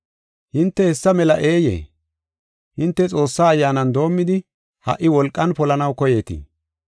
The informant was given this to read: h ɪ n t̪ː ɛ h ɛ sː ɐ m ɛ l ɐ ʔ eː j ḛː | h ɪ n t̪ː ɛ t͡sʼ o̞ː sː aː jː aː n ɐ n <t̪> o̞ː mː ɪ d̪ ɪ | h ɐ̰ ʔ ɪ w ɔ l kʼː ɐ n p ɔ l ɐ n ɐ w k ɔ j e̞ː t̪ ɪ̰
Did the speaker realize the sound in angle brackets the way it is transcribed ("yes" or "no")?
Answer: no